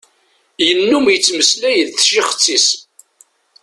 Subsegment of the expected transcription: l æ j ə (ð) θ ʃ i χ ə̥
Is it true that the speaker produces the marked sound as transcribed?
yes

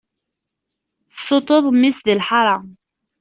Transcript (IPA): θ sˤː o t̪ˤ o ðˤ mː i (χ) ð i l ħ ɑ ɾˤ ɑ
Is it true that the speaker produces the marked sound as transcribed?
no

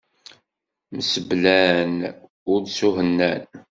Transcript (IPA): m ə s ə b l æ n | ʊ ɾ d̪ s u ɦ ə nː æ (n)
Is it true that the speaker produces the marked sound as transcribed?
yes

